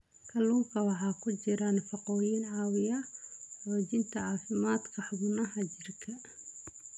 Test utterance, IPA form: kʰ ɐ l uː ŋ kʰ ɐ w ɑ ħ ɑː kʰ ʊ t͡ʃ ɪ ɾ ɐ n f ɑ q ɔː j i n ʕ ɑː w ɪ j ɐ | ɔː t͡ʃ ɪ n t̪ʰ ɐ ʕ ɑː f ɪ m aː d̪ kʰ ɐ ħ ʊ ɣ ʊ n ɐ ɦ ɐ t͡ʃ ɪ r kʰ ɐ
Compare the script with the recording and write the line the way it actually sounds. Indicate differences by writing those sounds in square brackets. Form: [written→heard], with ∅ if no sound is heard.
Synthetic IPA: kʰ ɐ l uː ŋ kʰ ɐ w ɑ ħ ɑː kʰ ʊ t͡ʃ ɪ ɾ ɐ n f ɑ q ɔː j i n ʕ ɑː w ɪ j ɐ | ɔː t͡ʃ ɪ n t̪ʰ ɐ ʕ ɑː f ɪ m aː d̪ kʰ ɐ ħ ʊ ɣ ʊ n ɐ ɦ ɐ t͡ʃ ɪ r kʰ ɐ